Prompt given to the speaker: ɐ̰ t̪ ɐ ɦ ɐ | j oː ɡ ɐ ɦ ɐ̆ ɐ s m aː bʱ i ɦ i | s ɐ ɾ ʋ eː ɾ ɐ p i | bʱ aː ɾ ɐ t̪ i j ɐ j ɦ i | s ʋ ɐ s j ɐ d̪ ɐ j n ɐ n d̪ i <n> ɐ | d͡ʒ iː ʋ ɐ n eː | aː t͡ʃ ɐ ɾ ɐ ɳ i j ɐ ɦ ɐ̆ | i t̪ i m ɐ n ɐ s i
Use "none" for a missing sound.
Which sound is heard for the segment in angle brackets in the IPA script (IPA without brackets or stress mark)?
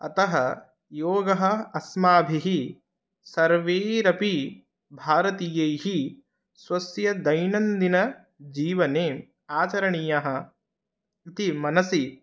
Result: n